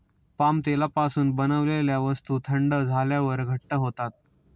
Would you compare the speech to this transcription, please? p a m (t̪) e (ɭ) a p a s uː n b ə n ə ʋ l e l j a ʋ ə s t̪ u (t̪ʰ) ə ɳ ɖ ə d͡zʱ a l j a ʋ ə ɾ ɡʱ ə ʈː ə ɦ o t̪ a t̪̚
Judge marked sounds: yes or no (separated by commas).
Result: yes, no, yes